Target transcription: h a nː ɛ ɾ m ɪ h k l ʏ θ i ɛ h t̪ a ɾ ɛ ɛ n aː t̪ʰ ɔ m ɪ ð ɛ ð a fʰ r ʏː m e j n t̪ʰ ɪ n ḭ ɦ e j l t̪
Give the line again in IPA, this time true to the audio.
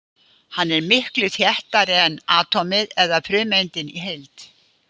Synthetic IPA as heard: h a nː ɛ ɾ m ɪ h k l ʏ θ j ɛ h t̪ a ɾ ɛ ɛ n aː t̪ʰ ɔ m ɪ ð ɛ ð a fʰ ɾ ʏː m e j n t̪ ɪ n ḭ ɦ e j l t̪